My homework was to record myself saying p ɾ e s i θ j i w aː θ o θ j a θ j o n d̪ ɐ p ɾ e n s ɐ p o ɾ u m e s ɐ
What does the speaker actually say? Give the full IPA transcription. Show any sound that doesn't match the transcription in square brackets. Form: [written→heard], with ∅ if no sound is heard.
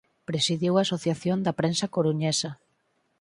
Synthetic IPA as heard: p ɾ e s i [θ→ð] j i w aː [θ→s] o θ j a θ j o n d̪ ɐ p ɾ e n s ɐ [p→k] o ɾ u [m→ɲ] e s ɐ